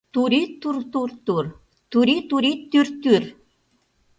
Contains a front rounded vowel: yes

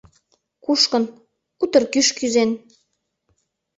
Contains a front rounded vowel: yes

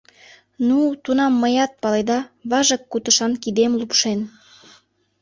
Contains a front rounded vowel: no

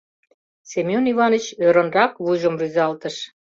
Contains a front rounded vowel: yes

